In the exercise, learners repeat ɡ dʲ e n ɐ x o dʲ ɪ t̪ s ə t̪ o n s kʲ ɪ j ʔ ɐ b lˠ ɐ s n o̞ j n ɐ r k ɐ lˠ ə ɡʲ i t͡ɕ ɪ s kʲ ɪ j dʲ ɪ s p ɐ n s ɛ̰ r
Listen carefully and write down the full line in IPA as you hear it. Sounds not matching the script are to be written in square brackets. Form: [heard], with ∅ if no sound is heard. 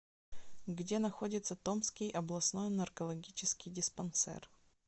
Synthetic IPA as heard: ɡ dʲ e n ɐ x o dʲ ɪ t̪ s ə t̪ o [m] s kʲ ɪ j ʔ ɐ b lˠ ɐ s n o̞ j n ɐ r k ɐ lˠ [ɐ] ɡʲ i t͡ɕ ɪ s kʲ ɪ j dʲ ɪ s p ɐ n s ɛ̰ r